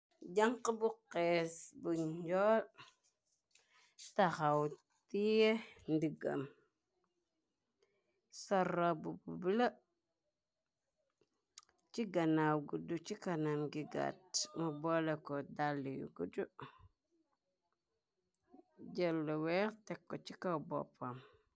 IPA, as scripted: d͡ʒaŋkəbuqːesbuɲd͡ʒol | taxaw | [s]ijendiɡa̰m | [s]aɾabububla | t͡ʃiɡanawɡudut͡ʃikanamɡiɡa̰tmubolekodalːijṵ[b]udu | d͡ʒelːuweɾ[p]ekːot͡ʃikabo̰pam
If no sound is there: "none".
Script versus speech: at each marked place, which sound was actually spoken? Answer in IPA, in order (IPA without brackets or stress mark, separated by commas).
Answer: t, s, ɡ, t